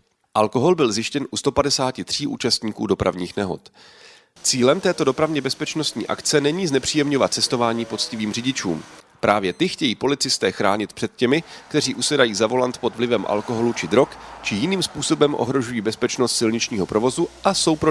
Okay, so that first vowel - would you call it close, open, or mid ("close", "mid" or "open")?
open